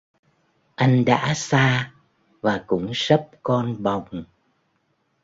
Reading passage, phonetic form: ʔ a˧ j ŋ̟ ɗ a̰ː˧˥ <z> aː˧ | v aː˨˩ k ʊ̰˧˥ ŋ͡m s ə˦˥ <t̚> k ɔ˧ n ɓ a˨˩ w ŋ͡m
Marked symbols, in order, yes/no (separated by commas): no, no